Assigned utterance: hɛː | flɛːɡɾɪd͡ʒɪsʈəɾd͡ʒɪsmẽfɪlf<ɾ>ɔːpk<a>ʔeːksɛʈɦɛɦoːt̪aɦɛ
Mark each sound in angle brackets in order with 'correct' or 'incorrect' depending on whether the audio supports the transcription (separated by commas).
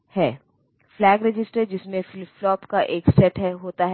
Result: incorrect, correct